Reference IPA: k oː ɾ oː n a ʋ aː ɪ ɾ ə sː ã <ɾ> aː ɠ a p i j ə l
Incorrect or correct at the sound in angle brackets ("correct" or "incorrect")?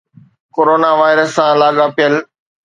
incorrect